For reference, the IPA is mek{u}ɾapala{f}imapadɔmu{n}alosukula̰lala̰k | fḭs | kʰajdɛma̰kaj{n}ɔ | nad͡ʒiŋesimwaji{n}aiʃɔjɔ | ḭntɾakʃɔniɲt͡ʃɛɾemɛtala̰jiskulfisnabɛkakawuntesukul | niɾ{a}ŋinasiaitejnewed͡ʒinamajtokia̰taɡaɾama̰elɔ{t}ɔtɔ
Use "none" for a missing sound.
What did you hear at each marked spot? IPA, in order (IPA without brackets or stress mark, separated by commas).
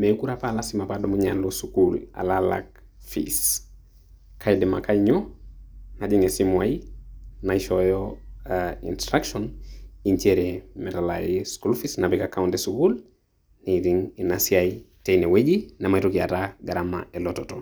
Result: u, s, ɲ, ɲ, n, i, t